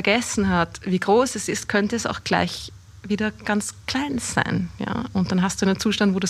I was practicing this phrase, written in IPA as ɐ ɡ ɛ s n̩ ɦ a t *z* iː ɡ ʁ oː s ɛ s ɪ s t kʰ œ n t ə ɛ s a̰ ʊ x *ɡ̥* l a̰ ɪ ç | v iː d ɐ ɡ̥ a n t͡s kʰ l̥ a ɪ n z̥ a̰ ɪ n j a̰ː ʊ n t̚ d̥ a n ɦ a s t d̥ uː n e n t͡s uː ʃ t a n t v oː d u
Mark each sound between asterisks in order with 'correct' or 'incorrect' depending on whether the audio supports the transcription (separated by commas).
incorrect, correct